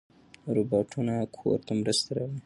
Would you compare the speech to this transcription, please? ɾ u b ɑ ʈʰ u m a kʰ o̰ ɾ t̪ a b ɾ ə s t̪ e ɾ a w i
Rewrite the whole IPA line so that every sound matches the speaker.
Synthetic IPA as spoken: ɾ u b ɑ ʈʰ u n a kʰ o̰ ɾ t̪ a m ɾ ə s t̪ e ɾ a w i